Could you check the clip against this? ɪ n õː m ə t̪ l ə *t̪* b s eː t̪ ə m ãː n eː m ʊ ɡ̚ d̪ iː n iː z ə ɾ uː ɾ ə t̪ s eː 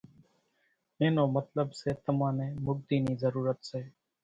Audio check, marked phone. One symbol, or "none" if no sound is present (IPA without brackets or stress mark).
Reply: none